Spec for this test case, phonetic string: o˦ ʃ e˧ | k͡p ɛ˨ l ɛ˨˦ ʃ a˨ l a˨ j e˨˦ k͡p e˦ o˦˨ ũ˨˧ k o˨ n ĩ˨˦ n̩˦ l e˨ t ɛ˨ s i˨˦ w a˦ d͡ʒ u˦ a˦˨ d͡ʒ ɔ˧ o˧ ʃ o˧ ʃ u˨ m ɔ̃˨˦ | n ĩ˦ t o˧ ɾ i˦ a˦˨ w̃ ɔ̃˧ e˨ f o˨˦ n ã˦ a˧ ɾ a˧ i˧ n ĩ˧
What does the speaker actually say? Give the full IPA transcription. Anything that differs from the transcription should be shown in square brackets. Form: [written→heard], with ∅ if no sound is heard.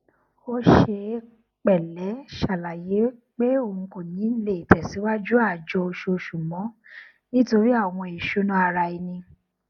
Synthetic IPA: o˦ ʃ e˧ | k͡p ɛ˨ l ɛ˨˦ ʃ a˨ l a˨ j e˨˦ k͡p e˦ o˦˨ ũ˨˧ k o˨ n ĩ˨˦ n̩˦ l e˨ t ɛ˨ s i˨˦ w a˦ d͡ʒ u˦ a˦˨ d͡ʒ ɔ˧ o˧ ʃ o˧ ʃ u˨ m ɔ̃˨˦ | n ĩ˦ t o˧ ɾ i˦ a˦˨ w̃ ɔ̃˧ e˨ [f→ʃ] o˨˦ n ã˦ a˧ ɾ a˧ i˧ n ĩ˧